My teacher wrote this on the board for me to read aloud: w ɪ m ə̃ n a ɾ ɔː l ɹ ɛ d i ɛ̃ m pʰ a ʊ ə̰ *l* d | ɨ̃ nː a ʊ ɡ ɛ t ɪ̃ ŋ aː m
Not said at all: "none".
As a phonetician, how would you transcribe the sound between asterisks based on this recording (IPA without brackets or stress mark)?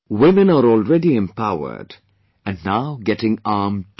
none